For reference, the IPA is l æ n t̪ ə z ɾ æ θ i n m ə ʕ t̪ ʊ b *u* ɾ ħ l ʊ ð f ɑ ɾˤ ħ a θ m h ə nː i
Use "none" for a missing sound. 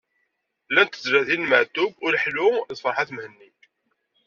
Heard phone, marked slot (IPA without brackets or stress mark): ʊ